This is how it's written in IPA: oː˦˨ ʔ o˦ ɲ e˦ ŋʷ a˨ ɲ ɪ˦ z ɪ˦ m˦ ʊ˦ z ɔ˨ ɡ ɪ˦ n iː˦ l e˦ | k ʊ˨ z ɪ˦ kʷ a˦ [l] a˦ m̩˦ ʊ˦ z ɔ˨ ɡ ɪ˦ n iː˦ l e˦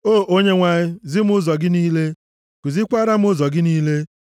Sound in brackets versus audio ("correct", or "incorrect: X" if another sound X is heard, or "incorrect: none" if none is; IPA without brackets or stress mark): incorrect: ɾ